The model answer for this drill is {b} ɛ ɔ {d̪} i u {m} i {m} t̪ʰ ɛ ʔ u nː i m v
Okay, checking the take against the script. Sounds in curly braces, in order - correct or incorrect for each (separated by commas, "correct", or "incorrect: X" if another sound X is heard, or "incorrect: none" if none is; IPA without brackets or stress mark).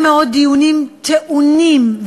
incorrect: m, correct, incorrect: n, correct